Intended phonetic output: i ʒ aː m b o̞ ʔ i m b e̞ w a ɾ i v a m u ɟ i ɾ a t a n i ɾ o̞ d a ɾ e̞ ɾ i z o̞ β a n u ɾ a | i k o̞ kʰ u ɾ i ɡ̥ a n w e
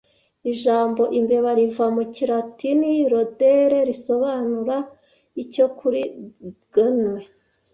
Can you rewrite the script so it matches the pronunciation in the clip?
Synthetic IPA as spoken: i ʒ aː m b o̞ ʔ i m b e̞ β a ɾ i v a m u c i ɾ a t i n i ɾ o̞ d e ɾ e̞ ɾ i s o̞ β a n u ɾ a | i c o̞ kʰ u ɾ i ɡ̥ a n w e